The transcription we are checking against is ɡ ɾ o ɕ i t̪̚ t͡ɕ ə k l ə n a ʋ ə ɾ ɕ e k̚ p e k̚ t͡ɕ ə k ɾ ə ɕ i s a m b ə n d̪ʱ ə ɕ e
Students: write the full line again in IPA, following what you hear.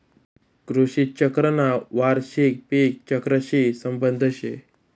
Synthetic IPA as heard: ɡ ɾ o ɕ i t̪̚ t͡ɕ ə k ɾ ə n a ʋ a ɾ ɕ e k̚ p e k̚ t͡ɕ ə k ɾ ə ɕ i s ə m b ə n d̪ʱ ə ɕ e